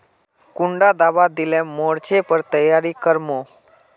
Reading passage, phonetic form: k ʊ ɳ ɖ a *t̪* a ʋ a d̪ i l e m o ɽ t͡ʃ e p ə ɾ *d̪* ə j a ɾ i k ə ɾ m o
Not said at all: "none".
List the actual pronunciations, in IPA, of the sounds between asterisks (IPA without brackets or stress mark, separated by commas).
d̪, t̪